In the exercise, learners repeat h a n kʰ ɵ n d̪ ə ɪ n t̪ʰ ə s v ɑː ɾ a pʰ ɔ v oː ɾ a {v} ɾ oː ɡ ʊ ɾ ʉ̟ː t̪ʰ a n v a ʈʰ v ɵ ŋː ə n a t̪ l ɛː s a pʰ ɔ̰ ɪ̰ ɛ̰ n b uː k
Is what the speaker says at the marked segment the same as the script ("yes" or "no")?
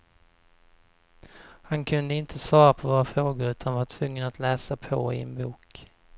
no